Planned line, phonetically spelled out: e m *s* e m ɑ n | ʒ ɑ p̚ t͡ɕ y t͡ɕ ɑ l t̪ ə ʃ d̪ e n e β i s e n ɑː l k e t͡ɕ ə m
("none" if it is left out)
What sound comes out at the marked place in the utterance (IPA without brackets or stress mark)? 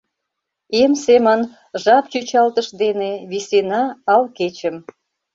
s